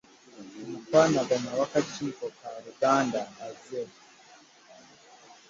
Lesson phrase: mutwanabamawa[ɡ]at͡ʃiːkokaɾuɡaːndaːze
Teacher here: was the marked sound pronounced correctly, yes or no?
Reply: no